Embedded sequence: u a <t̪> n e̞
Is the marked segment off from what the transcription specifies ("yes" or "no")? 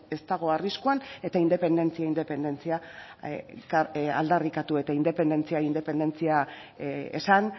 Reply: yes